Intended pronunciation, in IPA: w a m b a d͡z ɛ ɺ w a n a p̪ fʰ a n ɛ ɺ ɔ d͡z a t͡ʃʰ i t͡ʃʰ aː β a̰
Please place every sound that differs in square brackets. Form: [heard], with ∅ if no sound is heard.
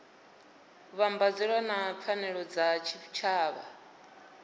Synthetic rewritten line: [β] a m b a d͡z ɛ ɺ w a n a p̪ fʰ a n ɛ ɺ ɔ d͡z a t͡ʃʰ i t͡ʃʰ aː β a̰